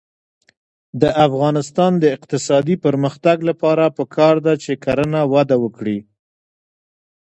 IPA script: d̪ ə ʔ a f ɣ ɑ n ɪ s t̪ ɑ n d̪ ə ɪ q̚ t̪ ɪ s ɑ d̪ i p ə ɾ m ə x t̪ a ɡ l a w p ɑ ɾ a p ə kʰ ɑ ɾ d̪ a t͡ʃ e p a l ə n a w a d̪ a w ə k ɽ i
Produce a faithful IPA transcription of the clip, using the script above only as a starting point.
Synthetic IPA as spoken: d̪ ə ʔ a f ɣ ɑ n ɪ s t̪ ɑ n d̪ ə ɪ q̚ t̪ ɪ s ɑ d̪ i p ə ɾ m ə x t̪ a ɡ l a p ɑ ɾ a p ə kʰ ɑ ɾ d̪ a t͡ʃ e k a ɾ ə n a w a d̪ a w ə k ɽ i